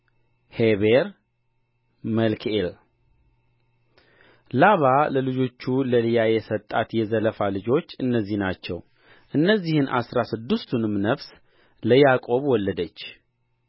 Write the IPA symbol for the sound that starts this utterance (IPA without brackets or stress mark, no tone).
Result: h